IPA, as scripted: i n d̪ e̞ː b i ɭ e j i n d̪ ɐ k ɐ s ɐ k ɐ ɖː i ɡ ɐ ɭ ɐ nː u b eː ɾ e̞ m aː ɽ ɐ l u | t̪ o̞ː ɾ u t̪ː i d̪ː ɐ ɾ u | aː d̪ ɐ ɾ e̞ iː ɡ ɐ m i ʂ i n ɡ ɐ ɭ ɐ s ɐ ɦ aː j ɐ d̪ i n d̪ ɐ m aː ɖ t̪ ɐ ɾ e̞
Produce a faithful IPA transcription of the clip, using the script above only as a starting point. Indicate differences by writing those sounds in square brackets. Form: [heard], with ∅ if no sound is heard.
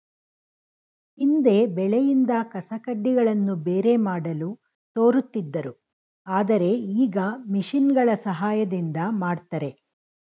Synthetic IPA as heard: i n d̪ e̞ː b [ɛ] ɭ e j i n d̪ ɐ k ɐ s ɐ k ɐ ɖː i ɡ ɐ ɭ ɐ nː u b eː ɾ e̞ m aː ɽ ɐ l u | t̪ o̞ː ɾ u t̪ː i d̪ː ɐ ɾ u | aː d̪ ɐ ɾ e̞ iː ɡ ɐ m i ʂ i n ɡ ɐ ɭ ɐ s ɐ ɦ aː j ɐ d̪ i n d̪ ɐ m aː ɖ t̪ ɐ ɾ e̞